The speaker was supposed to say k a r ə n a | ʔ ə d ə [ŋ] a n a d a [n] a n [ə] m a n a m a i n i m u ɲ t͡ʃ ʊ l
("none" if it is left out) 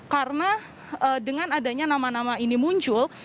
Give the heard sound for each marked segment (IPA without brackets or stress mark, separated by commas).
ŋ, ɲ, a